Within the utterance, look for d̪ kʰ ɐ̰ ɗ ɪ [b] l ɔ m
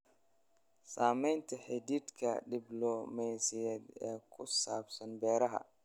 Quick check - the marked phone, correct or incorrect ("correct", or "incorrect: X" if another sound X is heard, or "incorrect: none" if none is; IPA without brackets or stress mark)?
correct